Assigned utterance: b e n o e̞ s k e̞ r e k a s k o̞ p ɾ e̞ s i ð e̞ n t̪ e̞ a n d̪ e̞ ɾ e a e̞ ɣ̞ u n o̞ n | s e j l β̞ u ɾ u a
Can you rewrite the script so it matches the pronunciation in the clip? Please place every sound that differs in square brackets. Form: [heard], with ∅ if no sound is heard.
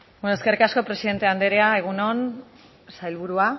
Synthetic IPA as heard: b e n o e̞ s k e̞ r [i] k a s k o̞ p ɾ e̞ s i ð e̞ n t̪ e̞ a n d̪ e̞ ɾ e a e̞ ɣ̞ u n o̞ n | s [a] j l β̞ u ɾ u a